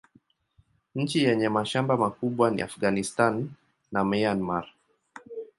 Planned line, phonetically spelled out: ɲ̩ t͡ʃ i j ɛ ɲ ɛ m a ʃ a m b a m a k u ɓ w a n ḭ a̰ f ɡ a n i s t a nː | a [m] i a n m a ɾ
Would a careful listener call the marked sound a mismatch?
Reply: no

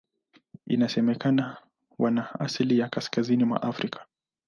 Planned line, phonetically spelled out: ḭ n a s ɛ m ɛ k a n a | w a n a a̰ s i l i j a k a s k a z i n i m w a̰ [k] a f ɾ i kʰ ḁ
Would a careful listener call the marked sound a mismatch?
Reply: yes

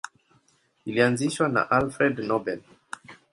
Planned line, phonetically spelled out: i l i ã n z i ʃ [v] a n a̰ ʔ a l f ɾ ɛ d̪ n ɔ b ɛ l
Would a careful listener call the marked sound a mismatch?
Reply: yes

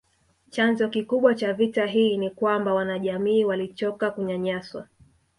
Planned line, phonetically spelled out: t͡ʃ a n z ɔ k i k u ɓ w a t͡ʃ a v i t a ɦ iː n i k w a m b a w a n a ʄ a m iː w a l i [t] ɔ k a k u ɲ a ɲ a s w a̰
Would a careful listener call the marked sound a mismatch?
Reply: yes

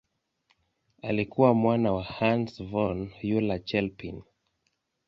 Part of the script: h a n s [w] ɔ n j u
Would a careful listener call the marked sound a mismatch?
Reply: yes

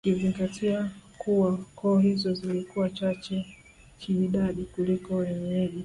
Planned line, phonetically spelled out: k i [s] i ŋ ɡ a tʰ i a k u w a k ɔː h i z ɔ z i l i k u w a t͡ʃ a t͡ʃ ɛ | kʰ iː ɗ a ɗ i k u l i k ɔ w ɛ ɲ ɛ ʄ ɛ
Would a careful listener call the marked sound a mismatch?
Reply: yes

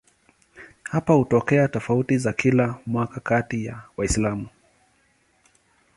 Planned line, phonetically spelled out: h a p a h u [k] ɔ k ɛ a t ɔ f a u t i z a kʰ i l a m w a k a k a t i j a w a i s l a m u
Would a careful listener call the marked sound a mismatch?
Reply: yes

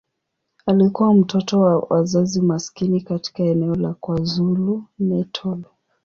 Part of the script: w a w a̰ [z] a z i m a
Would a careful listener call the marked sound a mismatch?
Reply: no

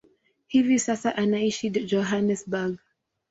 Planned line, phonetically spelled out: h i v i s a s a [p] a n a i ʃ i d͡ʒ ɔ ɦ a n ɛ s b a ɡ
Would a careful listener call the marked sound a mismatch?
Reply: yes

